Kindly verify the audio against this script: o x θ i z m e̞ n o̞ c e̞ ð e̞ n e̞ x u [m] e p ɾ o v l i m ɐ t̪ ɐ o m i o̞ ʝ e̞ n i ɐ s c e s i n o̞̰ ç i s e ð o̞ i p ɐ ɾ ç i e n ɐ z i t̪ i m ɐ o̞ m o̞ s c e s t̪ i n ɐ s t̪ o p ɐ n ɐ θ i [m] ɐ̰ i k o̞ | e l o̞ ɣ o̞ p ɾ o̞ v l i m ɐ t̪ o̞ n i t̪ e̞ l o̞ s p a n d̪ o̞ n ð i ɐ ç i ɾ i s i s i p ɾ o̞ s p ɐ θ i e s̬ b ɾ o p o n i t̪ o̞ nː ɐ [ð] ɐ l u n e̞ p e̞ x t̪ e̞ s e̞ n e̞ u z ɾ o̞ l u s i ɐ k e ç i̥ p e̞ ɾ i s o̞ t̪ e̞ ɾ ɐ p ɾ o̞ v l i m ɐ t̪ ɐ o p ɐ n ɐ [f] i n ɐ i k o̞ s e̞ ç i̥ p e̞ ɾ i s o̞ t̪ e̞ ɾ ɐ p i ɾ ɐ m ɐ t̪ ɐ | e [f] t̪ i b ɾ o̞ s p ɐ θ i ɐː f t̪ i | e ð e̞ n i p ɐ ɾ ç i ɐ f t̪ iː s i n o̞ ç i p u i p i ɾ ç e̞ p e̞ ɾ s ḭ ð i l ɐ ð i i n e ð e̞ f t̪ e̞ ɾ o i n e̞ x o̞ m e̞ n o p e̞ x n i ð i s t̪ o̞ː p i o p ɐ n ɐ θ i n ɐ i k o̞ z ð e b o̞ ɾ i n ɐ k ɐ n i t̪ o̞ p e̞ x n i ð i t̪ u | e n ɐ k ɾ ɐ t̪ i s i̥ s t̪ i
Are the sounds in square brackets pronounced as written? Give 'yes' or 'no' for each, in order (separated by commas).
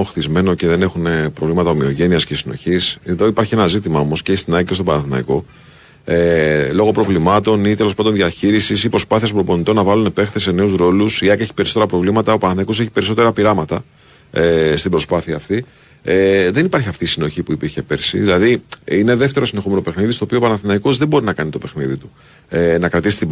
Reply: no, no, no, no, no